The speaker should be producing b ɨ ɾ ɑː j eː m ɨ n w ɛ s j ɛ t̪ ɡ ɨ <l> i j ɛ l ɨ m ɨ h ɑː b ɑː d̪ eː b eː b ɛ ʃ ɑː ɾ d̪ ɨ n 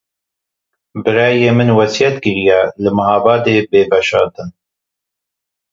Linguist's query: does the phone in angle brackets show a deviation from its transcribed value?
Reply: yes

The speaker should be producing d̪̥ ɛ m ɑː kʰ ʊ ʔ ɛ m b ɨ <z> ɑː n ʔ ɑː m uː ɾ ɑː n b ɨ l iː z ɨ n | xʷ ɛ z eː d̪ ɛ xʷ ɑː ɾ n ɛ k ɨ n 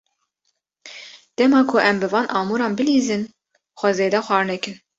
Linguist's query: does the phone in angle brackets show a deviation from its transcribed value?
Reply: yes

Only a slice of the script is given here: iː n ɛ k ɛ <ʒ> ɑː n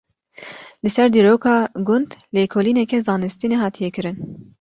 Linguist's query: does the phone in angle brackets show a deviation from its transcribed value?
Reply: yes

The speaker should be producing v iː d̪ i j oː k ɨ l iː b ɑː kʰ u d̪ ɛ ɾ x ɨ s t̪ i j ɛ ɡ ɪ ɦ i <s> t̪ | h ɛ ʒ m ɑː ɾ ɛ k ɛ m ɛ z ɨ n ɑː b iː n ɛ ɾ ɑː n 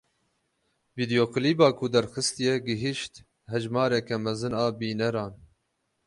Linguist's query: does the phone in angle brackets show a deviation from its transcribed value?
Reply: yes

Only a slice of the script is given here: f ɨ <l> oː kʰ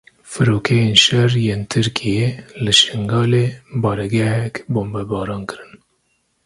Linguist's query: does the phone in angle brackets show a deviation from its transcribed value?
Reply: yes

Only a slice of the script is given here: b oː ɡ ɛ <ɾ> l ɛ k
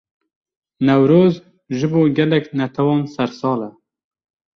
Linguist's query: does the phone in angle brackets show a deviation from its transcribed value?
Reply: yes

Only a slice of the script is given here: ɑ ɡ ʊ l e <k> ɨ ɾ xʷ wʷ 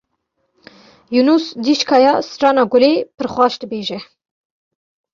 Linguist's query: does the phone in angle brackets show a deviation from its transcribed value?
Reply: yes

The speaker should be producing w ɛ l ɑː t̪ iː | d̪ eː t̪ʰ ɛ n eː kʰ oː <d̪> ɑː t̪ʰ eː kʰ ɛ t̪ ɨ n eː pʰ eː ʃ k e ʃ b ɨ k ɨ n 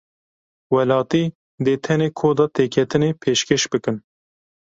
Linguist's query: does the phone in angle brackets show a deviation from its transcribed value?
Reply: no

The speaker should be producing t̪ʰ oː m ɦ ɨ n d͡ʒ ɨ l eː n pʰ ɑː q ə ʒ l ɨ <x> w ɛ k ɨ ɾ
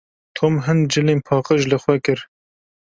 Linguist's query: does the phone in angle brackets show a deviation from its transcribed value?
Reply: no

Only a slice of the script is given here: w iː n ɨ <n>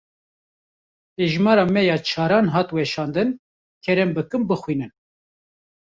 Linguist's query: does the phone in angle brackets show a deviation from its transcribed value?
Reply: no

